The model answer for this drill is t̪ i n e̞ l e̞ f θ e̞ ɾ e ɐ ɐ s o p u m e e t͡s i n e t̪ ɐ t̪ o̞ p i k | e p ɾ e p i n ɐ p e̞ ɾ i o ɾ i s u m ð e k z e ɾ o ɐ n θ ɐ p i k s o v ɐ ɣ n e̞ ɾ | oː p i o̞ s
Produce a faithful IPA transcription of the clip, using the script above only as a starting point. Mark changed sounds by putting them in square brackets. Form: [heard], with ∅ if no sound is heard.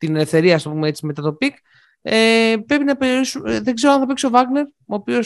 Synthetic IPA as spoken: t̪ i n e̞ l e̞ f θ e̞ ɾ [i] ɐ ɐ s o p u m e e t͡s i [m] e t̪ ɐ t̪ o̞ p i k | e p ɾ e p i n ɐ p e̞ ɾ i o ɾ i s u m ð e [ɡ] z e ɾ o ɐ n θ ɐ p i k s o v ɐ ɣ n e̞ ɾ | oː p i o̞ s